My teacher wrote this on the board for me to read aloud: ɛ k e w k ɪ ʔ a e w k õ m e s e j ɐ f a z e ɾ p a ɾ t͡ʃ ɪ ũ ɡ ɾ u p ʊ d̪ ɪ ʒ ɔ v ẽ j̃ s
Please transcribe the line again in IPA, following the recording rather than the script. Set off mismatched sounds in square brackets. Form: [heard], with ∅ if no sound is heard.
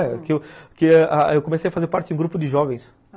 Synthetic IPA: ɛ k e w k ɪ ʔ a e w k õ m e s e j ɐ f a z e ɾ p a ɾ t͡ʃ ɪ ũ ɡ ɾ u p ʊ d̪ ɪ ʒ ɔ v ẽ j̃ s

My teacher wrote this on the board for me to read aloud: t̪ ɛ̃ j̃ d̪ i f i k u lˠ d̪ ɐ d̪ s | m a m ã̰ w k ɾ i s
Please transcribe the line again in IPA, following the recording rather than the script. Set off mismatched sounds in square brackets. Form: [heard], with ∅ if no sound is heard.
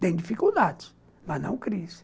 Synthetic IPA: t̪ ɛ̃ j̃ d̪ i f i k u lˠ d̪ [a] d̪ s | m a [n] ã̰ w k ɾ i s

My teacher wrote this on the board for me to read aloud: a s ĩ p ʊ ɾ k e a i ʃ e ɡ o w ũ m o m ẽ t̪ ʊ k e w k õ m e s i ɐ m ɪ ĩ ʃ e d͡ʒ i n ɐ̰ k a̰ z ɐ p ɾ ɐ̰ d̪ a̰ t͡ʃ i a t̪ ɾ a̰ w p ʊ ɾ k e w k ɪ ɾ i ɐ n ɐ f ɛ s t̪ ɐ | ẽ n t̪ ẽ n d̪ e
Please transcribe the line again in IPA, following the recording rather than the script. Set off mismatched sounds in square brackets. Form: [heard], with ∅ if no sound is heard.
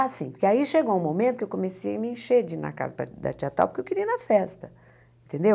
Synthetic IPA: a s ĩ p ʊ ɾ k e a i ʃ e ɡ o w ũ m o m ẽ t̪ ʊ k e w k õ m e s i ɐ m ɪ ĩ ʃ e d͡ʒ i n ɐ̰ k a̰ z ɐ p ɾ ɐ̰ d̪ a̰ t͡ʃ i a t̪ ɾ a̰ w p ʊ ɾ k e w k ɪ ɾ i ɐ n ɐ f ɛ s t̪ ɐ | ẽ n t̪ ẽ n d̪ e

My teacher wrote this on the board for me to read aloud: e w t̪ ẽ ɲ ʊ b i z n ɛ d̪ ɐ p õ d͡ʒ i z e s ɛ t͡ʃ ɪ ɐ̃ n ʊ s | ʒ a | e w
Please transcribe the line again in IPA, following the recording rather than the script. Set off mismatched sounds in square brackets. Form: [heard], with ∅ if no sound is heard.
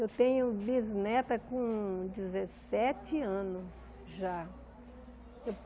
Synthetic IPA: e w t̪ ẽ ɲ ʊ b i z n ɛ [t̪] ɐ [k] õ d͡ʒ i z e s ɛ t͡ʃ ɪ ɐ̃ n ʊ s | ʒ a | e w

